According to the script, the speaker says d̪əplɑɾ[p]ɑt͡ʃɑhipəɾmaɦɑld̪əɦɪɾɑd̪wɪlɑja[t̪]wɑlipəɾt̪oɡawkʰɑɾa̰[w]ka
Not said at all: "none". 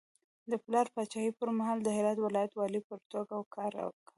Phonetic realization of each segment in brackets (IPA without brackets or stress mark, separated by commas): p, t̪, w